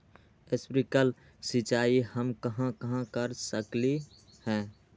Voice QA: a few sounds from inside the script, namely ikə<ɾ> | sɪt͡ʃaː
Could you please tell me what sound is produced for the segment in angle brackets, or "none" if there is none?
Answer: l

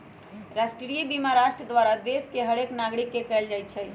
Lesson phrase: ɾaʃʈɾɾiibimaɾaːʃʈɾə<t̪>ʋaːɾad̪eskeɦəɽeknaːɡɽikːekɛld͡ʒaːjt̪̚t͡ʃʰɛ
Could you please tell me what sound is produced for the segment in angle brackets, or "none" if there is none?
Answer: d̪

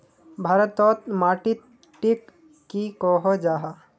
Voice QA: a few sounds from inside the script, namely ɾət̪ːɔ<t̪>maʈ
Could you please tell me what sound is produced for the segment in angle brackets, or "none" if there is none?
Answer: t̪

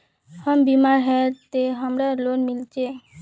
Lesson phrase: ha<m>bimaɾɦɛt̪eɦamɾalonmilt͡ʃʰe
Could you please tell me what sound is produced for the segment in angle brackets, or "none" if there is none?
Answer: m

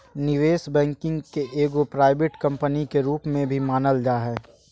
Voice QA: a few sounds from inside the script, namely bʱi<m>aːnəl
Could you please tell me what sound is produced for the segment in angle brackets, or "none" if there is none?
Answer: m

